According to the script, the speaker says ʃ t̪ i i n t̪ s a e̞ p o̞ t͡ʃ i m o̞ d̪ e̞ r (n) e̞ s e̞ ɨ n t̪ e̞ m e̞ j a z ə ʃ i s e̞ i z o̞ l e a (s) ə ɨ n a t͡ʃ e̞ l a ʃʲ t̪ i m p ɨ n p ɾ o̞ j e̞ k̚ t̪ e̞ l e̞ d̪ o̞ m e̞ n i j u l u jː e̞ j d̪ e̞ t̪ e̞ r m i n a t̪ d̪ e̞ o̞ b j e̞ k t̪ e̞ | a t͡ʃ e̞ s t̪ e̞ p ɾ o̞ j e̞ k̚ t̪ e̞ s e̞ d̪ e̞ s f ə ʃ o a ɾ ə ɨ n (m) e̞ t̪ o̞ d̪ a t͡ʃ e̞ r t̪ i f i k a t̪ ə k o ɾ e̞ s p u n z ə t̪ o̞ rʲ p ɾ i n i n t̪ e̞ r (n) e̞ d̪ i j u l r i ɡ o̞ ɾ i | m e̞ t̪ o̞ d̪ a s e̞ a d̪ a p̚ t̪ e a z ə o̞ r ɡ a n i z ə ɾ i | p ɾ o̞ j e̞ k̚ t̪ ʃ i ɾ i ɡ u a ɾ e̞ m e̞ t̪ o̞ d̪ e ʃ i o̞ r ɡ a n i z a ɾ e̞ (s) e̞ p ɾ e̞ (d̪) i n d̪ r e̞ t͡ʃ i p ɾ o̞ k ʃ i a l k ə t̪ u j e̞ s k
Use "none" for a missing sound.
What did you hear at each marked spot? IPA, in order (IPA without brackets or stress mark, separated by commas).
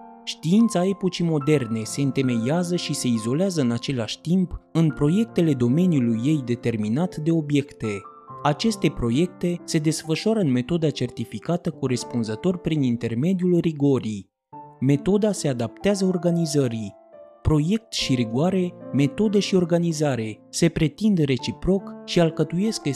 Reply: n, z, m, m, s, t̪